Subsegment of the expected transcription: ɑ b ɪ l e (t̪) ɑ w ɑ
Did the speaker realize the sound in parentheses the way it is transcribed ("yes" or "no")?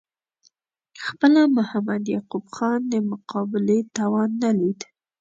yes